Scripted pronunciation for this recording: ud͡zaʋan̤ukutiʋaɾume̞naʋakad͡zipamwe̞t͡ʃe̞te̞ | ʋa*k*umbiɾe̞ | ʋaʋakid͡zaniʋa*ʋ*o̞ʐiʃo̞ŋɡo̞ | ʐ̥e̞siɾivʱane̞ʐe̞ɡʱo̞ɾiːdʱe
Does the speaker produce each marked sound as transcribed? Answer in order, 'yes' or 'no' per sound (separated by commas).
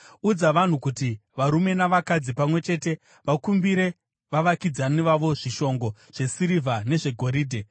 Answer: yes, yes